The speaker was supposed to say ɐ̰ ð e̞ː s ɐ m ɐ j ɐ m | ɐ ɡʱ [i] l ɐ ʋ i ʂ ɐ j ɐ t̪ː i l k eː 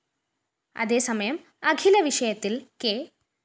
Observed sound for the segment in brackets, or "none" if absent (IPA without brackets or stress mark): i